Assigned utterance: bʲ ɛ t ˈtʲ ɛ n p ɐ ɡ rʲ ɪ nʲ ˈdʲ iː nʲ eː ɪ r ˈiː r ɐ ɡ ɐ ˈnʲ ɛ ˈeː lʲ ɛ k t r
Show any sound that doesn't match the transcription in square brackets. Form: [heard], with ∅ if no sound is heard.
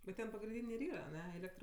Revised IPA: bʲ ɛ t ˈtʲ ɛ n p ɐ ɡ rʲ ɪ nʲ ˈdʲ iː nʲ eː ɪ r ˈiː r ɐ [∅] ɐ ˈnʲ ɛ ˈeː lʲ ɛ k t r